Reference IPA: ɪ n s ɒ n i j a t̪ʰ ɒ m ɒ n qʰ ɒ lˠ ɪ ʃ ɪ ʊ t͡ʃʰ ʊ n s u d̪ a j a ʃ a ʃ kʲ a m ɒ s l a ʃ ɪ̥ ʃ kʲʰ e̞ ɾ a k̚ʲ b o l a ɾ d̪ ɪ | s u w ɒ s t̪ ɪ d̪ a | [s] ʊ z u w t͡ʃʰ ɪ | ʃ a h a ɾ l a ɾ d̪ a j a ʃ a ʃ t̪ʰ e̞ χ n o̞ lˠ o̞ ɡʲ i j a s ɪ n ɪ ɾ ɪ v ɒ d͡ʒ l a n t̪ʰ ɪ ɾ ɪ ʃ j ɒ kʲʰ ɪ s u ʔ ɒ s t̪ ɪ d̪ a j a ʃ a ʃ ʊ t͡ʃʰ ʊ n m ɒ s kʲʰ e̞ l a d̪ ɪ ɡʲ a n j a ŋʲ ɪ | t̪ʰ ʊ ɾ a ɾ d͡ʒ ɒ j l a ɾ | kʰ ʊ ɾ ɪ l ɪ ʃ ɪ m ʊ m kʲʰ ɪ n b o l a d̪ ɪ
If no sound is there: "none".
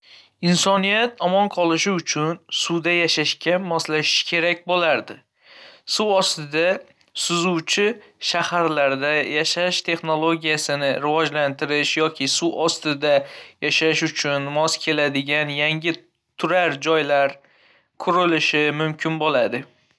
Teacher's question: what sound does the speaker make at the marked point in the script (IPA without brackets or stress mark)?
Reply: s